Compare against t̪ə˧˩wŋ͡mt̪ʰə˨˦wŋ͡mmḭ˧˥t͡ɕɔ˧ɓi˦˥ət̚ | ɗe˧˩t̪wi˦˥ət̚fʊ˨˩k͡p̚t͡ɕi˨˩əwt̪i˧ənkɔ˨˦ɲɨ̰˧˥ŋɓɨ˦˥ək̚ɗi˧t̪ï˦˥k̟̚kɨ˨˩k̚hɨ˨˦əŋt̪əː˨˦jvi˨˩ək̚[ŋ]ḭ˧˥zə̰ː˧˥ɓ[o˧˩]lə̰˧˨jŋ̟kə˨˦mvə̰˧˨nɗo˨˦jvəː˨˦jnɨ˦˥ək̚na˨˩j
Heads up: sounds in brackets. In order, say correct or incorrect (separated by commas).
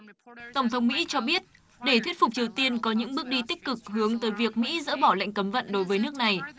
incorrect, incorrect